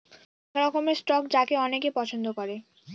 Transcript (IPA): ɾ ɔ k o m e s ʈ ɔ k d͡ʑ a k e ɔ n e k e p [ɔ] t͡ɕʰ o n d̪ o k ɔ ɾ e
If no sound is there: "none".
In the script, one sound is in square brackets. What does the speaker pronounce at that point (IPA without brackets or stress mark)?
ɔ